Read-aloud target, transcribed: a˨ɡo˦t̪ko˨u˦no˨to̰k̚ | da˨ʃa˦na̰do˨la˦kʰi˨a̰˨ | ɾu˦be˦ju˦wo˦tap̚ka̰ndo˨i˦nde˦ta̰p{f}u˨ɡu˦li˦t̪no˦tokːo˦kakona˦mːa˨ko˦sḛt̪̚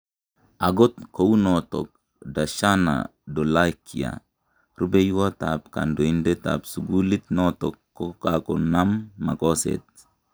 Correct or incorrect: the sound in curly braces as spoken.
incorrect: s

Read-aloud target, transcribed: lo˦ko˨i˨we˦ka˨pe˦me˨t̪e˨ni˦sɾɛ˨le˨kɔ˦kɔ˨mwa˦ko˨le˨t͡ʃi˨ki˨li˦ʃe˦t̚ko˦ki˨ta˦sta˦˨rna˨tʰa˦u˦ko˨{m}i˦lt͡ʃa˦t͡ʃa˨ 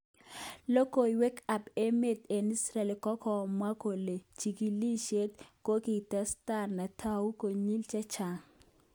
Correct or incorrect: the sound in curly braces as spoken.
incorrect: ɲ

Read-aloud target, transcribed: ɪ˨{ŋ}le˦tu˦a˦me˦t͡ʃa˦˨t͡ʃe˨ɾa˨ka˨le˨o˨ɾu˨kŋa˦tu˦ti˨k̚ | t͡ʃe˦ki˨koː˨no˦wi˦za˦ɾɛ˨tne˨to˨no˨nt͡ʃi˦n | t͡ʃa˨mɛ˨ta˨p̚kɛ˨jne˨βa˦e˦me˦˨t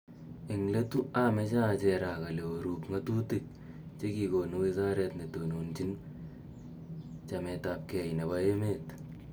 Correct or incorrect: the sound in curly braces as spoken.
correct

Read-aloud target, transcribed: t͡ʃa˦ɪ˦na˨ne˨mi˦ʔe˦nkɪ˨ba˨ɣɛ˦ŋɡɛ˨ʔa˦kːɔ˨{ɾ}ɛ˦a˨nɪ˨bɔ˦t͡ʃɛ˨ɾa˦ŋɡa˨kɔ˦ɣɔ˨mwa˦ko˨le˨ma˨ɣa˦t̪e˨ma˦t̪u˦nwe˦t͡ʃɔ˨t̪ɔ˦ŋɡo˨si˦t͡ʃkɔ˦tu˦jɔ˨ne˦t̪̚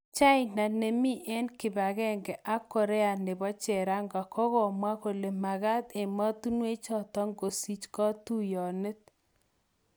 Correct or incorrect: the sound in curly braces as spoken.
correct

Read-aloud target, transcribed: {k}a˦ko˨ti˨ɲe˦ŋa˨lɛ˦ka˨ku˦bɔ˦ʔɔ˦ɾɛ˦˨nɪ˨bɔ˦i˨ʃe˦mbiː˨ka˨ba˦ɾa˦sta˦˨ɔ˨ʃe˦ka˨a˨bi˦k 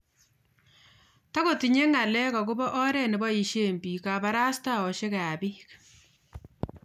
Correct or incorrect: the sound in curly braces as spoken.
incorrect: t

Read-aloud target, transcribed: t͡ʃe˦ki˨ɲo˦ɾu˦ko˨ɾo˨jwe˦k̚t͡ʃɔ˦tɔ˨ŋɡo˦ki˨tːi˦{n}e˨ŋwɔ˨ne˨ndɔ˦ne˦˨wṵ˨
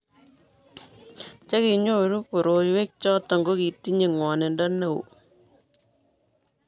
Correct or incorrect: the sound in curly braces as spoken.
incorrect: ɲ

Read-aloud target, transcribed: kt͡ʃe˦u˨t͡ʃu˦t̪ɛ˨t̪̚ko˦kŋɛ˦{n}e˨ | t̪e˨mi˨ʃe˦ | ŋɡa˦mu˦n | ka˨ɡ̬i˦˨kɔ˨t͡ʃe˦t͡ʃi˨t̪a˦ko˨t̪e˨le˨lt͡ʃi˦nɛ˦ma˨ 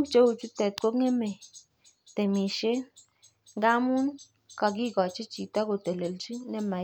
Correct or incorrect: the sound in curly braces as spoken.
incorrect: m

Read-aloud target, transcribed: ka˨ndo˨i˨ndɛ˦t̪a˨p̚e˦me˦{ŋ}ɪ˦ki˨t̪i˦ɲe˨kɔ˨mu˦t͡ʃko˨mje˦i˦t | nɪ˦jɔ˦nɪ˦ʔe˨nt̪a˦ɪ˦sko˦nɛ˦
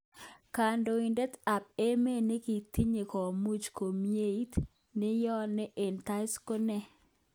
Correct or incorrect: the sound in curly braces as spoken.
incorrect: n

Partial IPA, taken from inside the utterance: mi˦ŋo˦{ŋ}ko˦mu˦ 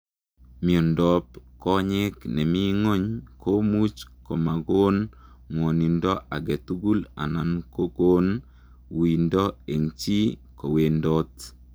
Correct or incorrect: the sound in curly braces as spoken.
incorrect: ɲ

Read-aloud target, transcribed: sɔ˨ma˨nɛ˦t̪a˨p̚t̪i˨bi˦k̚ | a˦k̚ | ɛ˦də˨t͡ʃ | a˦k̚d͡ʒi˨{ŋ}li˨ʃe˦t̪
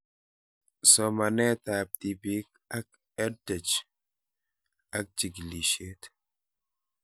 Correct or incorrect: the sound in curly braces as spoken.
incorrect: ɡ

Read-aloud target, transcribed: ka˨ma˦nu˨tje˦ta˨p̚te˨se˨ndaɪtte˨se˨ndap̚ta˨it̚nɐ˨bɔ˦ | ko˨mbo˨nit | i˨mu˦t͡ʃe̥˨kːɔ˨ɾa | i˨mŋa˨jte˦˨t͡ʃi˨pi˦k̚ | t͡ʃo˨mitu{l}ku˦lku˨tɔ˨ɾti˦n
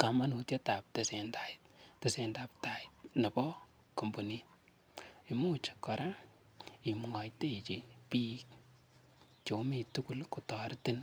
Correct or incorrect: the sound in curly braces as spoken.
incorrect: none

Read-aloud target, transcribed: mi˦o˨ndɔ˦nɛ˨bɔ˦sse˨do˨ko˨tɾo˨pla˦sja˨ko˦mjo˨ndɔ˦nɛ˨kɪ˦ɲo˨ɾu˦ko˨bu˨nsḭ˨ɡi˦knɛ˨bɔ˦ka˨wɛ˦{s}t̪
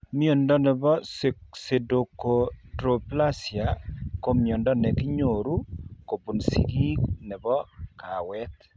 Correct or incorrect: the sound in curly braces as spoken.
incorrect: none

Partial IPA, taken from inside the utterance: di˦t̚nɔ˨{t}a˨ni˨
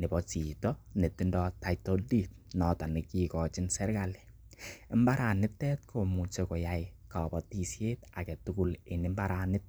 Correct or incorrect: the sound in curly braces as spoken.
correct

